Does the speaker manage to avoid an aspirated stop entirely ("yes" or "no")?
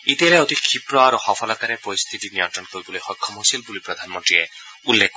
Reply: no